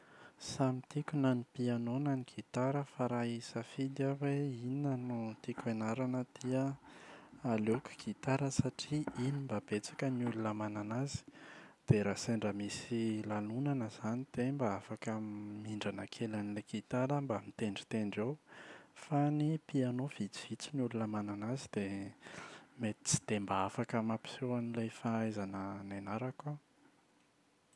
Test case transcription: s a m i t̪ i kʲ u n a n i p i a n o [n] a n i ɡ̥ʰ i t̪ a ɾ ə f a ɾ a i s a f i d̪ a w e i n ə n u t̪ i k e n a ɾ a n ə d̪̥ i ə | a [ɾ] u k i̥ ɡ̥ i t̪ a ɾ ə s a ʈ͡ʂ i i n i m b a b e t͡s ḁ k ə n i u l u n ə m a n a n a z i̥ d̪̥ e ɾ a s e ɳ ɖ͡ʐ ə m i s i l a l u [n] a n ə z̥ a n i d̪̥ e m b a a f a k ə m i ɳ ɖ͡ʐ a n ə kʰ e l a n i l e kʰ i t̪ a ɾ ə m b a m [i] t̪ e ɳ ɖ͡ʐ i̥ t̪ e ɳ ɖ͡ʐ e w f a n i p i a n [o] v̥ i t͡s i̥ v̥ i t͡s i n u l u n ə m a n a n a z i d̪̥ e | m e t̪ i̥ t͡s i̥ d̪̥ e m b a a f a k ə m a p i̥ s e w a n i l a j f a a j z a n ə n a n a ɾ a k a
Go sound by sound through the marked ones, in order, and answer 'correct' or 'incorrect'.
correct, incorrect: l, correct, correct, correct

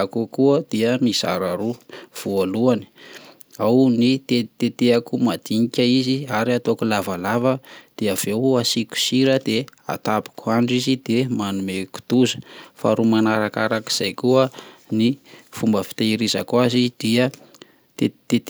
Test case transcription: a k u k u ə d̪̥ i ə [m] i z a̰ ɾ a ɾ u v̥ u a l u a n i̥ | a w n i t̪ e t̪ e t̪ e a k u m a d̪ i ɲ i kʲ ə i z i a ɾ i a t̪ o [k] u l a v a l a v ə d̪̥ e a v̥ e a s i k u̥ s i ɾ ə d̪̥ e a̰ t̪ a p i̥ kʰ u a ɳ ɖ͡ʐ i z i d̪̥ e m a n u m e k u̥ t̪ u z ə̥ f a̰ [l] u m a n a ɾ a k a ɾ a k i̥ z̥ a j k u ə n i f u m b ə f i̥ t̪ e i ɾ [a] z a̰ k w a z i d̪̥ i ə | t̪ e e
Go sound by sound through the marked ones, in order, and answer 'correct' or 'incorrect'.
correct, correct, incorrect: ɾ, incorrect: i

